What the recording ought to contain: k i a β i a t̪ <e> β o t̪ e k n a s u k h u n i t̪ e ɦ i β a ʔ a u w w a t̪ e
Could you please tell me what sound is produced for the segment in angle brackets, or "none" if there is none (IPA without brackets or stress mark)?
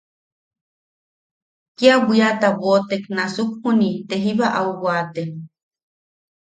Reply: a